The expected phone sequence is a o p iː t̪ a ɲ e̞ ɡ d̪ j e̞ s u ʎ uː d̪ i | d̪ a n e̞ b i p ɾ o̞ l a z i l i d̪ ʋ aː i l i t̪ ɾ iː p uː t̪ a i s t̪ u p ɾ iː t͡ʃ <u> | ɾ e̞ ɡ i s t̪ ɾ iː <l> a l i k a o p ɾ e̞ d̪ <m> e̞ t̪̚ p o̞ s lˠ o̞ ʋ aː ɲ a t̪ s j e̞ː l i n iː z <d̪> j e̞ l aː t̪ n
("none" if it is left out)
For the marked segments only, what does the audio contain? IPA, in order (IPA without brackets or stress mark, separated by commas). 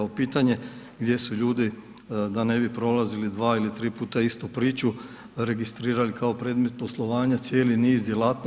u, ɾ, m, d̪